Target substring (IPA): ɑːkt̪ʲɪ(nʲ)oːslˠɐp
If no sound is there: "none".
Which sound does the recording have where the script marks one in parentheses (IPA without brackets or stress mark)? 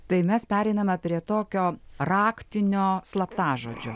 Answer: nʲ